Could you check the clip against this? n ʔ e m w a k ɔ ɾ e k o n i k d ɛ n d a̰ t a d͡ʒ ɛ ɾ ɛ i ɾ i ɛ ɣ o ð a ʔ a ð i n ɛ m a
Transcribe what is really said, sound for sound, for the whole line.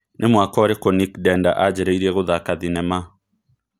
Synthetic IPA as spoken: n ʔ e m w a k ɔ ɾ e k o n i k d ɛ n d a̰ ʔ a d͡ʒ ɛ ɾ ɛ i ɾ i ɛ ɣ o ð a k a ð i n ɛ m a